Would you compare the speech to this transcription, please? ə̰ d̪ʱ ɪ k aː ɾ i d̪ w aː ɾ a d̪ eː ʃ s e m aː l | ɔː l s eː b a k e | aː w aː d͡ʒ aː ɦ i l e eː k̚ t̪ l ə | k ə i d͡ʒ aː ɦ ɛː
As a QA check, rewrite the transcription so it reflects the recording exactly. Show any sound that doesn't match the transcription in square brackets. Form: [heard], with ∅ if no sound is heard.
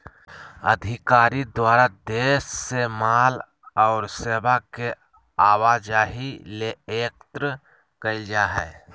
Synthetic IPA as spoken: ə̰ d̪ʱ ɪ k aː ɾ i d̪ w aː ɾ a d̪ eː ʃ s e m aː l | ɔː [ɾ] s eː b a k e | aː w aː d͡ʒ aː ɦ i l e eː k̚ t̪ [ɾ] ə | k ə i d͡ʒ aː ɦ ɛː